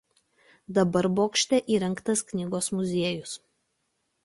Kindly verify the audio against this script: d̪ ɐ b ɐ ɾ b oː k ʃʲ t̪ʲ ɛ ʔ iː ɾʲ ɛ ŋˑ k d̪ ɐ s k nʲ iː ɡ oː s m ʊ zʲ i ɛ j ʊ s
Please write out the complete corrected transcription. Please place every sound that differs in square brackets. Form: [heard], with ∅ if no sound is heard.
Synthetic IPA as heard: d̪ ɐ b ɐ ɾ b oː k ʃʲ t̪ʲ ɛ ʔ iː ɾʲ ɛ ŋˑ k [t̪] ɐ s k nʲ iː ɡ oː s m ʊ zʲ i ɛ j ʊ s